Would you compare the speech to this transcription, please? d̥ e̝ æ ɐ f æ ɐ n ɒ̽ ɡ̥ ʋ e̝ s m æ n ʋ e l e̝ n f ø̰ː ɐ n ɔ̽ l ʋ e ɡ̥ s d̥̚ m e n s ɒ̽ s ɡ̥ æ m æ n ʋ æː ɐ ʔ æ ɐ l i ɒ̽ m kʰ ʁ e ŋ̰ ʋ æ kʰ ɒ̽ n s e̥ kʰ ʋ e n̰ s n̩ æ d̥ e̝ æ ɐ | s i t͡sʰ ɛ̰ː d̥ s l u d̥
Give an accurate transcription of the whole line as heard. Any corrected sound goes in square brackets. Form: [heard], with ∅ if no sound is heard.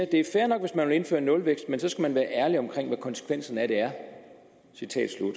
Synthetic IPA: d̥ e̝ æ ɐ f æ ɐ n ɒ̽ ɡ̥ ʋ e̝ s m æ n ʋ e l e̝ n f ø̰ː ɐ n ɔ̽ l ʋ e ɡ̥ s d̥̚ m e n s ɒ̽ s ɡ̥ æ m æ n ʋ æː ɐ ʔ æ ɐ l i ɒ̽ m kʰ ʁ e ŋ̰ ʋ æ kʰ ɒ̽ n s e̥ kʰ ʋ e n̰ s n̩ æ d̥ e̝ æ ɐ | s i t͡sʰ ɛ̰ː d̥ s l u d̥